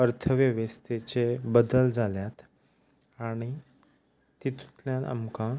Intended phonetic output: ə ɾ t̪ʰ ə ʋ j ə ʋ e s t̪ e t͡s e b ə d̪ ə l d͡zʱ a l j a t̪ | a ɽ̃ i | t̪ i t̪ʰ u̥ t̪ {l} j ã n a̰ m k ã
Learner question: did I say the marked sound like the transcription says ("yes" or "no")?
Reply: yes